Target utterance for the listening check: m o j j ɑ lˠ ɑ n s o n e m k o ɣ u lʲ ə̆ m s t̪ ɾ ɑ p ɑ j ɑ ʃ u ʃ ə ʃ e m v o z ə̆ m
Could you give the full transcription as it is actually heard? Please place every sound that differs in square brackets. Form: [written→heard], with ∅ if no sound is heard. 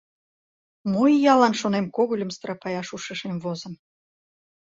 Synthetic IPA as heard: m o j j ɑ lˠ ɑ n [s→ʃ] o n e m k o ɣ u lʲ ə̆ m s t̪ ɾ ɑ p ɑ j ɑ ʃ u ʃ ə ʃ e m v o z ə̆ m